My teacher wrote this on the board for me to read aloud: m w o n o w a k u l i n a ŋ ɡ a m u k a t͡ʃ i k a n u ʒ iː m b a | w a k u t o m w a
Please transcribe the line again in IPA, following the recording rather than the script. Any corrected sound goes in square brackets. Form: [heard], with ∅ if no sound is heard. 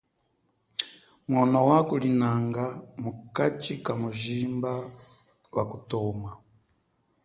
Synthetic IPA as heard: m w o n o w a k u l i n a ŋ ɡ a m u k a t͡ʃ i k a [m] u ʒ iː m b a | w a k u t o m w a